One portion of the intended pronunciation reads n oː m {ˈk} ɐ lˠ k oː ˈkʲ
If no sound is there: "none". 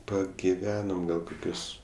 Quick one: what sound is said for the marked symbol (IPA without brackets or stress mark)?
ɡ